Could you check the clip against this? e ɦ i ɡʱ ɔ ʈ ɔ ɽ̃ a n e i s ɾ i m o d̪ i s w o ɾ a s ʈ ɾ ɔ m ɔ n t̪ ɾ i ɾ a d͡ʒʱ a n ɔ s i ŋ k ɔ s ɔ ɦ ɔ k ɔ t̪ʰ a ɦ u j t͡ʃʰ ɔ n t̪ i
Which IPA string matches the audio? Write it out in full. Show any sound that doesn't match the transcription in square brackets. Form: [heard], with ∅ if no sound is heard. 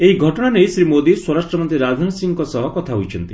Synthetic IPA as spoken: e ɦ i ɡʱ ɔ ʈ ɔ ɽ̃ a n e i s ɾ i m o d̪ i s w [ɔ] ɾ a s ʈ ɾ ɔ m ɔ n t̪ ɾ i ɾ a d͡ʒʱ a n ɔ s i ŋ k ɔ s ɔ ɦ ɔ k ɔ t̪ʰ a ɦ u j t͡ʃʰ ɔ n t̪ i

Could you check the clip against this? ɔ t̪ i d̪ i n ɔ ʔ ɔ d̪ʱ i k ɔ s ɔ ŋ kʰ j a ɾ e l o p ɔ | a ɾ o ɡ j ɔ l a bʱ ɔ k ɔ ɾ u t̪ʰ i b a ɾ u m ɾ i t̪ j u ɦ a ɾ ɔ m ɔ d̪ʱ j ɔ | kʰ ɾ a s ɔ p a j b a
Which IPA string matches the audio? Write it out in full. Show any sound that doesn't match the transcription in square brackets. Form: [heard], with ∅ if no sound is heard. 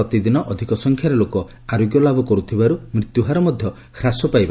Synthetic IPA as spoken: ɔ t̪ i d̪ i n ɔ ʔ ɔ d̪ʱ i k ɔ s ɔ ŋ kʰ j a ɾ e l o [k] ɔ | a ɾ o ɡ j ɔ l a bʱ ɔ k ɔ ɾ u t̪ʰ i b a ɾ u m ɾ i t̪ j u ɦ a ɾ ɔ m ɔ d̪ʱ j ɔ | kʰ ɾ a s ɔ p a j b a

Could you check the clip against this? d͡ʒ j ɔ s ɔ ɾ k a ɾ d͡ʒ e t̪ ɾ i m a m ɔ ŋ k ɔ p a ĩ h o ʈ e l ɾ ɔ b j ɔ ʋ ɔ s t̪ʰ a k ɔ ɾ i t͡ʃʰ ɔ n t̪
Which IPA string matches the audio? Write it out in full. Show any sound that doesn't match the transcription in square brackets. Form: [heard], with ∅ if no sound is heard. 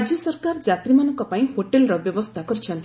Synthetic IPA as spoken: d͡ʒ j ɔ s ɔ ɾ k a ɾ d͡ʒ [a] t̪ ɾ i m a [n] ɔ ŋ k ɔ p a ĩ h o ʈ e l ɾ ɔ b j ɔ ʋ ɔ s t̪ʰ a k ɔ ɾ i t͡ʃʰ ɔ n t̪

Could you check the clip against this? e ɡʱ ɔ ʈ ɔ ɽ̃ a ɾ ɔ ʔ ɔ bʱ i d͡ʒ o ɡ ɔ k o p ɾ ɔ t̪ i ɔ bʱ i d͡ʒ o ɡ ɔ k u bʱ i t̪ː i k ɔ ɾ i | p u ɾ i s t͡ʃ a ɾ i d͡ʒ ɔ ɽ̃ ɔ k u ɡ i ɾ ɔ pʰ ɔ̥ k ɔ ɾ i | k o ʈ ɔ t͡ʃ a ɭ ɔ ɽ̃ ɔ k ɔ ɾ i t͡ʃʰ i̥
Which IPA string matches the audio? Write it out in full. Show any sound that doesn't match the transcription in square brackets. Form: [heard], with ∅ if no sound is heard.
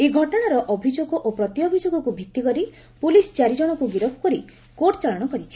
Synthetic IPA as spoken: e ɡʱ ɔ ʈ ɔ ɽ̃ a ɾ ɔ ʔ ɔ bʱ i d͡ʒ o ɡ ɔ [ʔ] o p ɾ ɔ t̪ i ɔ bʱ i d͡ʒ o ɡ ɔ k u bʱ i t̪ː i k ɔ ɾ i | p u [l] i s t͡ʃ a ɾ i d͡ʒ ɔ ɽ̃ ɔ k u ɡ i ɾ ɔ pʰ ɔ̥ k ɔ ɾ i | k o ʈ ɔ t͡ʃ a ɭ ɔ ɽ̃ ɔ k ɔ ɾ i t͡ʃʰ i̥

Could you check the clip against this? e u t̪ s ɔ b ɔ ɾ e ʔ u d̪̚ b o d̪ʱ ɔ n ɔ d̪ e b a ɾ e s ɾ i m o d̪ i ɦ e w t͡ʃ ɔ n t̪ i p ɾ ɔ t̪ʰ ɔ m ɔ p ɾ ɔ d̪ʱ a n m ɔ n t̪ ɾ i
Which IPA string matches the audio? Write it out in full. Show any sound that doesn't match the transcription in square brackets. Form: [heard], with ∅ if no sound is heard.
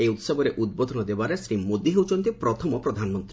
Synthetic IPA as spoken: e u t̪ s ɔ b ɔ ɾ e ʔ u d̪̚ b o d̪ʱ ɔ n ɔ d̪ e b a ɾ e s ɾ i m o d̪ i ɦ e w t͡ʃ ɔ n t̪ i p ɾ ɔ t̪ʰ ɔ m ɔ p ɾ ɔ d̪ʱ a n m ɔ n t̪ ɾ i

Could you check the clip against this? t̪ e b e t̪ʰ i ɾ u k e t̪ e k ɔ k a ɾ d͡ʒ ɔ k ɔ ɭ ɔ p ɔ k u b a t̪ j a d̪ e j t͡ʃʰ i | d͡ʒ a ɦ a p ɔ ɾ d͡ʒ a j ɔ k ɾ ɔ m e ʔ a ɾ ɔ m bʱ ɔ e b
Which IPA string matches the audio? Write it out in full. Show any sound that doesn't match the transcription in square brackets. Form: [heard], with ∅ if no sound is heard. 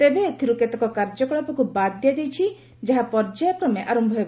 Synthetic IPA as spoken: t̪ e b e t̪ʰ i ɾ u k e t̪ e k ɔ k a ɾ d͡ʒ ɔ k ɔ ɭ ɔ p ɔ k u b a [d̪] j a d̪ e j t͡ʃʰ i | d͡ʒ a ɦ a p ɔ ɾ d͡ʒ a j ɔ k ɾ ɔ m e ʔ a ɾ ɔ m bʱ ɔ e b

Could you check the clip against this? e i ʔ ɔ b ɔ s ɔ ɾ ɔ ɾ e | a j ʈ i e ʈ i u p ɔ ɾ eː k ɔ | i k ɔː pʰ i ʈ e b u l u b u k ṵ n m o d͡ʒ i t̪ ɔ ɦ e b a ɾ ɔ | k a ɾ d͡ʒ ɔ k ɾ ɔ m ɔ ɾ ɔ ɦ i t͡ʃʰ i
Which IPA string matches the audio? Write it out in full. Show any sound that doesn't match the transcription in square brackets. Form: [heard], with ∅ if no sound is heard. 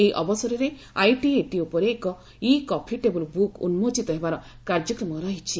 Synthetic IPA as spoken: e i ʔ ɔ b ɔ s ɔ ɾ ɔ ɾ e | a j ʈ i e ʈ i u p ɔ ɾ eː k ɔ | i k [ɔ] pʰ i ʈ e b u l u b u k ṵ n m o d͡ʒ i t̪ ɔ ɦ e b a ɾ ɔ | k a ɾ d͡ʒ ɔ k ɾ ɔ m ɔ ɾ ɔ ɦ i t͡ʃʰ i

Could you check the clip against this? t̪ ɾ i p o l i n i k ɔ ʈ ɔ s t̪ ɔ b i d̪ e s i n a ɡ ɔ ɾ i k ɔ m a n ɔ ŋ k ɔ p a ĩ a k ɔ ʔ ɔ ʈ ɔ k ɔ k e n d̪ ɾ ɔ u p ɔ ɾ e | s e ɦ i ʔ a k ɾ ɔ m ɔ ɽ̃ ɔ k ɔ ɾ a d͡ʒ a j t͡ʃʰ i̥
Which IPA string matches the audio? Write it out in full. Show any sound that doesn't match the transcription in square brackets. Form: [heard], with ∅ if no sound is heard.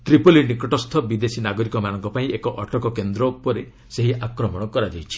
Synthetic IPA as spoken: t̪ ɾ i p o l i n i k ɔ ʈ ɔ s [t̪ʰ] ɔ b i d̪ e s i n a ɡ ɔ ɾ i k ɔ m a n ɔ ŋ k ɔ p a ĩ [e] k ɔ ʔ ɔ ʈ ɔ k ɔ k e n d̪ ɾ ɔ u p ɔ ɾ e | s e ɦ i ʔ a k ɾ ɔ m ɔ ɽ̃ ɔ k ɔ ɾ a d͡ʒ a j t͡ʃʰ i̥

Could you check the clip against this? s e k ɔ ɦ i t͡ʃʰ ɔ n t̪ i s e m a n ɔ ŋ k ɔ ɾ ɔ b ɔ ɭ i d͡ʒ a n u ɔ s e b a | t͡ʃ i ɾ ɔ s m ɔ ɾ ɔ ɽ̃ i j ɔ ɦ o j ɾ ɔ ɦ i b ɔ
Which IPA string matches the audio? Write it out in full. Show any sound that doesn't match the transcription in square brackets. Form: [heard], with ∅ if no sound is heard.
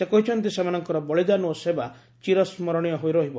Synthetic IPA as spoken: s e k ɔ ɦ i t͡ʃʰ ɔ n t̪ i s e m a n ɔ ŋ k ɔ ɾ ɔ b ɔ ɭ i d͡ʒ a n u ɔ s e b a | t͡ʃ i ɾ ɔ s m ɔ ɾ ɔ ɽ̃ i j ɔ ɦ o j ɾ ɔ ɦ i b ɔ

